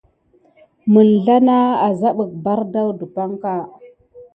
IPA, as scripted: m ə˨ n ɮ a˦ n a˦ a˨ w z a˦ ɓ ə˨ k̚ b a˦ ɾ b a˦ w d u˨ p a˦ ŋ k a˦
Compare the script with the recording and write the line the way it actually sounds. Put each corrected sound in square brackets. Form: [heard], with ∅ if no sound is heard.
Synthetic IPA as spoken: m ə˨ n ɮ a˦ n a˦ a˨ [∅] z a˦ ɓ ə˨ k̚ b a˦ ɾ [d] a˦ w d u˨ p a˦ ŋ k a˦